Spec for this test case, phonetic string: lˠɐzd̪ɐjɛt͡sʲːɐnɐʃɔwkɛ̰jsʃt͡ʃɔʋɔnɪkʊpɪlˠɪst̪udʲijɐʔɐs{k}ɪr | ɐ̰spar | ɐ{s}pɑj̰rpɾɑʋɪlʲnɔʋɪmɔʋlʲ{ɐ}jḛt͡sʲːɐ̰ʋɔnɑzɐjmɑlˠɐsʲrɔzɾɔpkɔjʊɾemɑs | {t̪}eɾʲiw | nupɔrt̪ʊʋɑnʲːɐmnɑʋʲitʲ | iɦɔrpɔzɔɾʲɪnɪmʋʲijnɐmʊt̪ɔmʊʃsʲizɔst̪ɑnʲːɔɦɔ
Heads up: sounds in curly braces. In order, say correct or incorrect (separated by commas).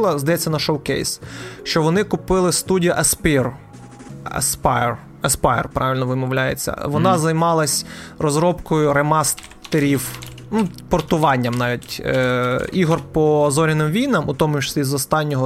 incorrect, correct, incorrect, correct